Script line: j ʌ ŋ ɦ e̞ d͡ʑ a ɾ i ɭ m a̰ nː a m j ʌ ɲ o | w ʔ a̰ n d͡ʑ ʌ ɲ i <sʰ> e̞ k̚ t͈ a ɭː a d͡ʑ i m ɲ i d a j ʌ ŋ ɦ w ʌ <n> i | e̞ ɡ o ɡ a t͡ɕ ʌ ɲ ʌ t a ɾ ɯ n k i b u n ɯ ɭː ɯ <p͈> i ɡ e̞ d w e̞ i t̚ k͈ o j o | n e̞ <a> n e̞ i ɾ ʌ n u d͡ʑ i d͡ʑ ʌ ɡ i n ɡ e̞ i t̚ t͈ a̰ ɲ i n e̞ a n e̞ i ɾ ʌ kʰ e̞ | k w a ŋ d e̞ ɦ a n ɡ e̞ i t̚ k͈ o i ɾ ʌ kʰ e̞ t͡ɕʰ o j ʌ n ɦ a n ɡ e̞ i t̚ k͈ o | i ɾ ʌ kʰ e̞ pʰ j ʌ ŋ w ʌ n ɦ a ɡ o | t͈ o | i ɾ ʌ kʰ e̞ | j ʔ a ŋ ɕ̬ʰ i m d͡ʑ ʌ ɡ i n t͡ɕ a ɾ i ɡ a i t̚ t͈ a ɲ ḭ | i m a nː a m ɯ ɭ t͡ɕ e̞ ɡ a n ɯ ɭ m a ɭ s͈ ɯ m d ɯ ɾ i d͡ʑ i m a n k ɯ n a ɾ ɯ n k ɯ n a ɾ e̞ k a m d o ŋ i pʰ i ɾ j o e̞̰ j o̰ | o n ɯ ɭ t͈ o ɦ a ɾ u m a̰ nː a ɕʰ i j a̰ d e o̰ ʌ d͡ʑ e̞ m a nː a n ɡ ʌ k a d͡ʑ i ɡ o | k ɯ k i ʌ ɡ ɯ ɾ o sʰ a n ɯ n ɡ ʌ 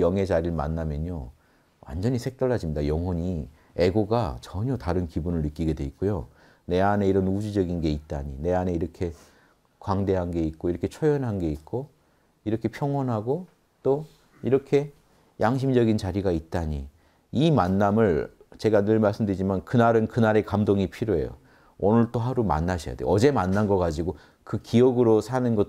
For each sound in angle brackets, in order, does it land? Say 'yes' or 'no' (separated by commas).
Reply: yes, no, no, yes